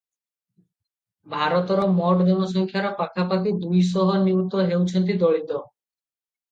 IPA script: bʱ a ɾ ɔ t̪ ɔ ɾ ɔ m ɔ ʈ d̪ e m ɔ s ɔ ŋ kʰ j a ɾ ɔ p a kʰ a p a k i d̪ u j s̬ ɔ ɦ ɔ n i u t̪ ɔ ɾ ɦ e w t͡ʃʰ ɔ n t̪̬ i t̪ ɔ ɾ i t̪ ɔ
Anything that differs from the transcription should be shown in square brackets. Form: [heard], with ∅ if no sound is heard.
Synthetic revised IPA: bʱ a ɾ ɔ t̪ ɔ ɾ ɔ m ɔ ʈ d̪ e m ɔ s ɔ ŋ kʰ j a ɾ ɔ p a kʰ a p a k i d̪ u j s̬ ɔ ɦ ɔ n i u t̪ ɔ [∅] ɦ e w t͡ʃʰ ɔ n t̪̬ i [d̪] ɔ [ɭ] i t̪ ɔ